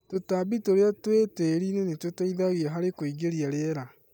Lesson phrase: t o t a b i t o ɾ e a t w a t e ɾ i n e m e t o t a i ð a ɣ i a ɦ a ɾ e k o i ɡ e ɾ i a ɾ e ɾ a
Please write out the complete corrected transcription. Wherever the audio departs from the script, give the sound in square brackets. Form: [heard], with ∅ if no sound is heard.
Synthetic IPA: t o t a b i t o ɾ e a t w [e] t e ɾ i n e [n] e t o t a i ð a ɣ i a ɦ a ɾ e k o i ɡ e ɾ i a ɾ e ɾ a